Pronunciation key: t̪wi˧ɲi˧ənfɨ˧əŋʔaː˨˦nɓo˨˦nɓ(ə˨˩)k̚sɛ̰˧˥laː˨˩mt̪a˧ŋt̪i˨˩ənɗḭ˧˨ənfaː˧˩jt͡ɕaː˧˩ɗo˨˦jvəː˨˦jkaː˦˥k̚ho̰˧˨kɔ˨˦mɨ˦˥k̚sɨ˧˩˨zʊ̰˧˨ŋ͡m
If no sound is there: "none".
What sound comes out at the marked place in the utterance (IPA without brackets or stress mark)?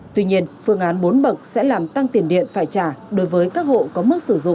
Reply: ə˨˩